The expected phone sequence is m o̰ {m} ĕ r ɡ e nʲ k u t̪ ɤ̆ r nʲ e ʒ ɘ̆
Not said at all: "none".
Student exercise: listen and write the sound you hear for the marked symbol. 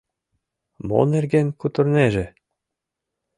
n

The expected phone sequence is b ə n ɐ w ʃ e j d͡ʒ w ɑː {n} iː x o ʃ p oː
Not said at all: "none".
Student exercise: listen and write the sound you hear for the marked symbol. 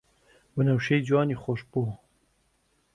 n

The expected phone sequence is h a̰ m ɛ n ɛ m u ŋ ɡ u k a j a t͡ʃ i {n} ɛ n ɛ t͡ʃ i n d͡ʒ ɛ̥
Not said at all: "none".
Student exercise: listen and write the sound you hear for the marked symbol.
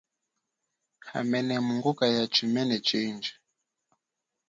m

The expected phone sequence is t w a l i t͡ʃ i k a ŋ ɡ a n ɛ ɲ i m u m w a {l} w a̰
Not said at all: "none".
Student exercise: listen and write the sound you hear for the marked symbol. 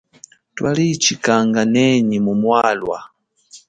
l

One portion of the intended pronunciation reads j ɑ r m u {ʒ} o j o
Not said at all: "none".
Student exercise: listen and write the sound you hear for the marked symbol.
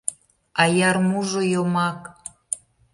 ʒ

